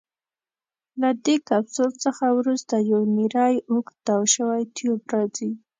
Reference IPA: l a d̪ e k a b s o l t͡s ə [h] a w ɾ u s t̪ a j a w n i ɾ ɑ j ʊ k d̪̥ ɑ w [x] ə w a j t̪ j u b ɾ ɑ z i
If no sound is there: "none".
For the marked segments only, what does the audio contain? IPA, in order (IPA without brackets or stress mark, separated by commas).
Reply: x, ʃ